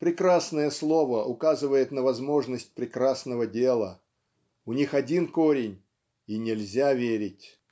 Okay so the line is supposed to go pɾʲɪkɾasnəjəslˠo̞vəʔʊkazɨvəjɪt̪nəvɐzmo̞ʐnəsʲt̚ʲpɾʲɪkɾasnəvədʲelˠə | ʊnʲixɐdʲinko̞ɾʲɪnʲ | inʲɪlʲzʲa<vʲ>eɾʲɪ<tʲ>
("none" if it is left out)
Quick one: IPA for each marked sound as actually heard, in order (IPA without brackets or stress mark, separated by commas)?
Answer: vʲ, tʲ